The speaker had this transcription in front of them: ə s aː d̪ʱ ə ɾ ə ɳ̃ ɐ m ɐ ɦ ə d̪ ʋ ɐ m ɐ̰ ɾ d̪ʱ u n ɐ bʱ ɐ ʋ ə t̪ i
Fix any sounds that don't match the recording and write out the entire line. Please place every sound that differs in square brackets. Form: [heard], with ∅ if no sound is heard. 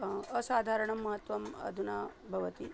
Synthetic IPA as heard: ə s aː d̪ʱ [a] ɾ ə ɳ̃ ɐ m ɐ ɦ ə [t̪] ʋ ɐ m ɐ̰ [∅] d̪ʱ u n [a] bʱ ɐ ʋ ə t̪ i